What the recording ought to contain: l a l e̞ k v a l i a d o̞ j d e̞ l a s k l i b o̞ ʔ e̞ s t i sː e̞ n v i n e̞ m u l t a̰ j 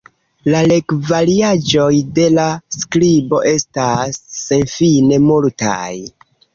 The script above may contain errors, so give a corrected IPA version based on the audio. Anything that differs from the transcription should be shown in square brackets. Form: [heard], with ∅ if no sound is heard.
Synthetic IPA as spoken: l a l e̞ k v a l i a [d͡ʒ] o̞ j d e̞ l a s k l i b o̞ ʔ e̞ s t [a] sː e̞ n [f] i n e̞ m u l t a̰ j